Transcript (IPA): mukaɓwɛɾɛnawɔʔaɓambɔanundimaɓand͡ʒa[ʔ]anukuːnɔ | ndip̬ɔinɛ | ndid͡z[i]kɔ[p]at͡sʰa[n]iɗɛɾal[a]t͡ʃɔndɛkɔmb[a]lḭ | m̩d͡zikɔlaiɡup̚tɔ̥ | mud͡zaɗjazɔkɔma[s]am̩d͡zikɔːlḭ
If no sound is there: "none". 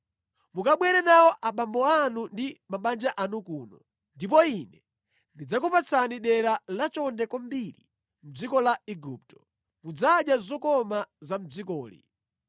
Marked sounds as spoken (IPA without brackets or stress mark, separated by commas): ʔ, a, p, n, a, i, z